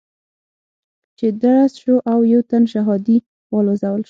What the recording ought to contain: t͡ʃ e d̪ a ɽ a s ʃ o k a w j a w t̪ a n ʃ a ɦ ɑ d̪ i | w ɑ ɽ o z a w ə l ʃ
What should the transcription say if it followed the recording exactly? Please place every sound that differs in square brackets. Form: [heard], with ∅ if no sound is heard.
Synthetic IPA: t͡ʃ e d̪ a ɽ a s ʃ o [ʔ] a w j a w t̪ a n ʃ a ɦ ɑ d̪ i | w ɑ [l] o z a w ə l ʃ